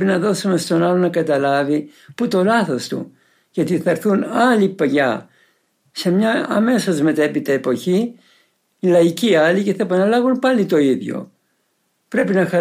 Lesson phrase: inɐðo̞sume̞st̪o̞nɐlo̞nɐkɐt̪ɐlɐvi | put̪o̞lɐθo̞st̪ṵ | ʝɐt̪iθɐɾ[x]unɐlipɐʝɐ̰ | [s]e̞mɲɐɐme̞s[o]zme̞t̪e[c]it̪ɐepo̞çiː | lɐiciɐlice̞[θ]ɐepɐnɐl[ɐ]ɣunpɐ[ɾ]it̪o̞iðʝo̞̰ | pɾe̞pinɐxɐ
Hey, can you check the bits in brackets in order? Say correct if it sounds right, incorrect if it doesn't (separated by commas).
incorrect, correct, correct, incorrect, correct, correct, incorrect